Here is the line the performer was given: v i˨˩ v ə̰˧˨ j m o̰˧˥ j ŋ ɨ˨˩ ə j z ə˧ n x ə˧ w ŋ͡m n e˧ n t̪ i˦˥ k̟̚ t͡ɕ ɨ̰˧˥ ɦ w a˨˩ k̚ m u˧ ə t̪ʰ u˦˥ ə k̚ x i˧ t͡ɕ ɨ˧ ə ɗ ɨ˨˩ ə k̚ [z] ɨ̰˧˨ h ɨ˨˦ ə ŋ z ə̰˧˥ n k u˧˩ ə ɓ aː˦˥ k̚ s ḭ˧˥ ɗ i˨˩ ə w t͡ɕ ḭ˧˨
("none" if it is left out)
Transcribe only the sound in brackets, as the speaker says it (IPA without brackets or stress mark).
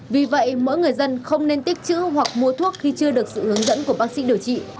s